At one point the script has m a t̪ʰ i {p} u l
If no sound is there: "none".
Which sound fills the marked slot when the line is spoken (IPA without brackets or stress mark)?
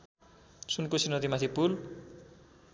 p